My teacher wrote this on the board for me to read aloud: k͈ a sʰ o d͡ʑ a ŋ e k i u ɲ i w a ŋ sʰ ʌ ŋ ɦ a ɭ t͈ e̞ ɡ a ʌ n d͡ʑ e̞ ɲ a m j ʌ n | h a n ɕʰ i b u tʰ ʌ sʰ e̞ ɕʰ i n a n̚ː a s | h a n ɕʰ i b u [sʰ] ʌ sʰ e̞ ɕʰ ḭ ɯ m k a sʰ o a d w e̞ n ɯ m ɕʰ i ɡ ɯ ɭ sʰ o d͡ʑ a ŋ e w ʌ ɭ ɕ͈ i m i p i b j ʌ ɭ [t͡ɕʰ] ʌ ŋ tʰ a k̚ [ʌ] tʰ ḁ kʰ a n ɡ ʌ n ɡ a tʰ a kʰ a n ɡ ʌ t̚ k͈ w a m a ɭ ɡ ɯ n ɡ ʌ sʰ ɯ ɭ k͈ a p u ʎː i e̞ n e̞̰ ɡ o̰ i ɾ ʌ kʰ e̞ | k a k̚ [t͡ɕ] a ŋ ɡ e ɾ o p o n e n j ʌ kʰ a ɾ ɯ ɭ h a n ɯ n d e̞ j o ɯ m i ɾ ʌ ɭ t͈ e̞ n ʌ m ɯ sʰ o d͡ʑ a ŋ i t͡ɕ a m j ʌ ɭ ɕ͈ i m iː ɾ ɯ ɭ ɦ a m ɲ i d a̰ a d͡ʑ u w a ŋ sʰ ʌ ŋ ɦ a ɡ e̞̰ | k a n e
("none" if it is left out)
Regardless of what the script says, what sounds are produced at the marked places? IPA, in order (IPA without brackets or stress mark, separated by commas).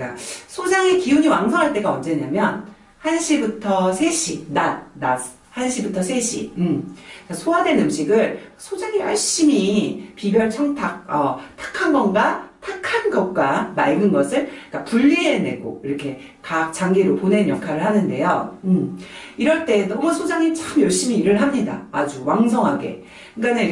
tʰ, t͡ɕʰ, ʌ, t͡ɕ